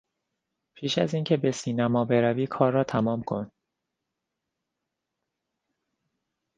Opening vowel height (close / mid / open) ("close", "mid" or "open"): close